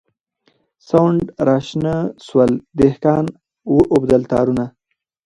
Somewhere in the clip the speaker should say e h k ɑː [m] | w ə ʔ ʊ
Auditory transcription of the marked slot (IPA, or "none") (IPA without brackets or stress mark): n